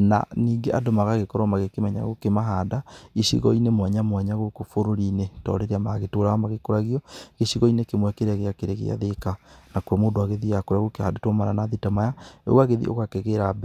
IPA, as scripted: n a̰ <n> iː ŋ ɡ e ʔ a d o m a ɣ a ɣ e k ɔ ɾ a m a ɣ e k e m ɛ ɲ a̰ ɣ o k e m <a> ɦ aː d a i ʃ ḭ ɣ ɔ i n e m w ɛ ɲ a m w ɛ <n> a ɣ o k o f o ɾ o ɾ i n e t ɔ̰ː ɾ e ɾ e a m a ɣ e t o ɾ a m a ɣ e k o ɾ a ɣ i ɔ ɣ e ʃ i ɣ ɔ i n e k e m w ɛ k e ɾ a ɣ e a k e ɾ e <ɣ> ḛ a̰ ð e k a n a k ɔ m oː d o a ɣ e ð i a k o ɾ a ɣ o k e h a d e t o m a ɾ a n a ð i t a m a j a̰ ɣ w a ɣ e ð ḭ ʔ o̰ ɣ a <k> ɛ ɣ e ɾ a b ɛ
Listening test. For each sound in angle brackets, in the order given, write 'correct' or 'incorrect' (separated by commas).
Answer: correct, correct, incorrect, correct, correct